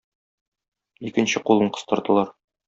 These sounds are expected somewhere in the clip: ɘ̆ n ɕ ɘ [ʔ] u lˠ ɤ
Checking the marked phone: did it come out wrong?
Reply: yes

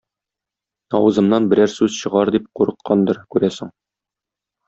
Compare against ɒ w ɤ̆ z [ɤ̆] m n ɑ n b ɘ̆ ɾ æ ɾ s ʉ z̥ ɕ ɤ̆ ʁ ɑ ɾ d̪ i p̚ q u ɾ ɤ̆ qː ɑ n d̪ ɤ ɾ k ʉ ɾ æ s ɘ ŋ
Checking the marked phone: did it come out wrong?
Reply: no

